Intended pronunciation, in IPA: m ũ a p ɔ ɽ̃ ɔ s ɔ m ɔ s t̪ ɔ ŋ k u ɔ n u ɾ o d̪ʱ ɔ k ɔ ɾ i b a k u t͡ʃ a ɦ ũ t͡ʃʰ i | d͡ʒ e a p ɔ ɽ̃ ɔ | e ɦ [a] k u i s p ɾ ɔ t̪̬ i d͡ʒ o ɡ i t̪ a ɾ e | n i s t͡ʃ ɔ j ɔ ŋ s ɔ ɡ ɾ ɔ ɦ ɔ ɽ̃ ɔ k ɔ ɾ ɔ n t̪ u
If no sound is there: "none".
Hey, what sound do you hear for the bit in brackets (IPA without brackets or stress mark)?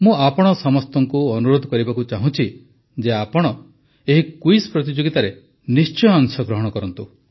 i